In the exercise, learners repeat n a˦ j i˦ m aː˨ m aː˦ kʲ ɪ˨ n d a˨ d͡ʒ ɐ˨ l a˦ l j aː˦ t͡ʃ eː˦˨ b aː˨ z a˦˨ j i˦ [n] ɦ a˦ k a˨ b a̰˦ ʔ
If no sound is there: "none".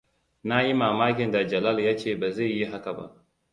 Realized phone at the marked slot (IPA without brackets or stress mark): none